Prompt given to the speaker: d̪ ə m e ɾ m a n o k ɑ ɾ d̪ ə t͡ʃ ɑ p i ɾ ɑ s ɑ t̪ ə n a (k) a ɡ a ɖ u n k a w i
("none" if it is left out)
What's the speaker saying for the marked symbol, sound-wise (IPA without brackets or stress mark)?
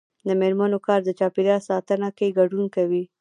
k